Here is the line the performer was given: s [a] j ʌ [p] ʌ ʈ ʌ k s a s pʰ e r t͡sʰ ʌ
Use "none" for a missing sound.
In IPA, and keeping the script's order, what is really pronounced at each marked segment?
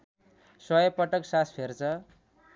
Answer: ʌ, p

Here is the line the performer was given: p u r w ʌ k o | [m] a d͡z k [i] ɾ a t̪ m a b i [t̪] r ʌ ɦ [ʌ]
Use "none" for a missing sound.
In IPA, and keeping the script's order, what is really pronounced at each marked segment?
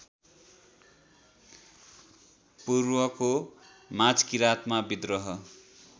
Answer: m, i, d̪, ʌ

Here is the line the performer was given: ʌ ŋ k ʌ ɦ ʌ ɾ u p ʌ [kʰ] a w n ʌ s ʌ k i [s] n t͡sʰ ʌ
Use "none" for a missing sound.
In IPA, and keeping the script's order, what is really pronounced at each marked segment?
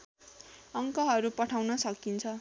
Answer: ʈʰ, none

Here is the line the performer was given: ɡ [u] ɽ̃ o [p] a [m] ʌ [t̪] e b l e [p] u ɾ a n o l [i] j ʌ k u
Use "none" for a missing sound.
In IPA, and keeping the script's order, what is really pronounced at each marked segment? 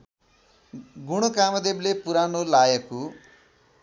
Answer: u, k, m, d̪, p, a

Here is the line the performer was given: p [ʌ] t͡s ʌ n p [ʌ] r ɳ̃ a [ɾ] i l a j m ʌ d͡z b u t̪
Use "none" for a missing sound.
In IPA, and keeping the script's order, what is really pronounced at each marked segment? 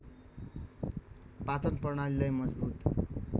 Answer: a, ʌ, l

